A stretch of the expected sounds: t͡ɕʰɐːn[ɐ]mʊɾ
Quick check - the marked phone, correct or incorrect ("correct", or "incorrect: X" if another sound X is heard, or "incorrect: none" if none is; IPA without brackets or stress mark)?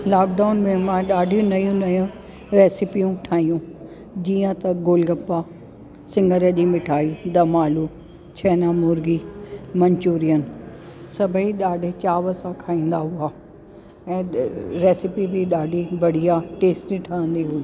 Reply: incorrect: a